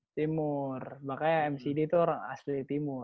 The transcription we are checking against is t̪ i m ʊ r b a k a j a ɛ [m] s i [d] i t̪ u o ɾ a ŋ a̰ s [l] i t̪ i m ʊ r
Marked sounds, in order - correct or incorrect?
correct, correct, correct

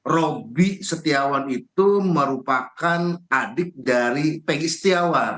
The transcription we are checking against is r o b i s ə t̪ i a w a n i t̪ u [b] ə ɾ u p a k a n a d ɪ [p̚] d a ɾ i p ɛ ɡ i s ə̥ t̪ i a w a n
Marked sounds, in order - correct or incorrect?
incorrect, incorrect

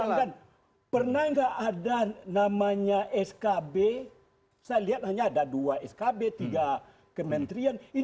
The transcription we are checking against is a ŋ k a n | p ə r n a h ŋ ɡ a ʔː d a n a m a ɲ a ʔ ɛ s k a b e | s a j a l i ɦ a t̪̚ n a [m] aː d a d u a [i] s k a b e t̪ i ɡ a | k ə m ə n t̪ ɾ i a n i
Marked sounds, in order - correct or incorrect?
incorrect, incorrect

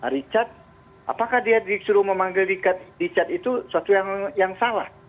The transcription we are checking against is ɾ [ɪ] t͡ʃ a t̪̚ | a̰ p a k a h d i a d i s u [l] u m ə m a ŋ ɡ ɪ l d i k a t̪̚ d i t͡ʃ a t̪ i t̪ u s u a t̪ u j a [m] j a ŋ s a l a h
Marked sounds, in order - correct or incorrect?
incorrect, incorrect, incorrect

